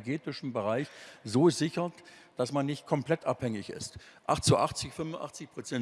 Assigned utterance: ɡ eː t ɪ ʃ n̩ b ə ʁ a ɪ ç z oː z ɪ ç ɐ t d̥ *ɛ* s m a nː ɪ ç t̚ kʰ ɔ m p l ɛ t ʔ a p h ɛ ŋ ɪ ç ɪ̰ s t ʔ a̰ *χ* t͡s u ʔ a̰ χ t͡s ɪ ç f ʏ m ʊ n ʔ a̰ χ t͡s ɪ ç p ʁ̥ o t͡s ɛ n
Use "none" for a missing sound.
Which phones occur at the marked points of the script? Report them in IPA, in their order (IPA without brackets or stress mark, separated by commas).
a, χ